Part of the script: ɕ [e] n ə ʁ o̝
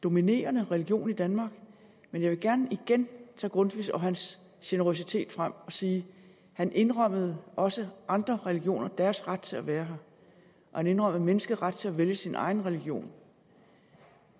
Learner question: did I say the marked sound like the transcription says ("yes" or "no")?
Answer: yes